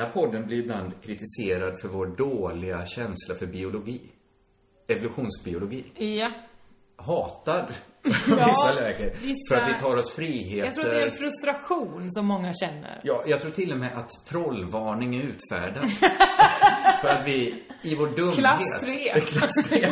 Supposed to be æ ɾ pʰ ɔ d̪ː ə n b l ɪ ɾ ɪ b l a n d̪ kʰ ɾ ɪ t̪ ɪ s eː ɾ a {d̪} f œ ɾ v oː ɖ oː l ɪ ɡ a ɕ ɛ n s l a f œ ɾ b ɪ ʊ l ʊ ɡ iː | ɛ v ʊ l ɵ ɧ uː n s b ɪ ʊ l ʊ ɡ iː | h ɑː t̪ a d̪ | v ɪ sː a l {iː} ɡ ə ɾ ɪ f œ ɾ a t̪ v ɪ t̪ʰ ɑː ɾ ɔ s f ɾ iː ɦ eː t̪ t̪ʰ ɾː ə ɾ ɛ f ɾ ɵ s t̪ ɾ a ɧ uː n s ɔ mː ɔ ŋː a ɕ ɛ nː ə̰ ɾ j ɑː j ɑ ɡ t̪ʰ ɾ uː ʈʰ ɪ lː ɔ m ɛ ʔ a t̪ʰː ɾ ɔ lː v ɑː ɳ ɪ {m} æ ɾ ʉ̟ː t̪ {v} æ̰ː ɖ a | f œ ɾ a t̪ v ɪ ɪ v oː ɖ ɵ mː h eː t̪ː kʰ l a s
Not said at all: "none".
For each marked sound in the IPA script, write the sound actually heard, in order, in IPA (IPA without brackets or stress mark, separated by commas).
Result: d̪, ɛː, ŋ, f